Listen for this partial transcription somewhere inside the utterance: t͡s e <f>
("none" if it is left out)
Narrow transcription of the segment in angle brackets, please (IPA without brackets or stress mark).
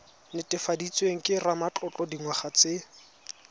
none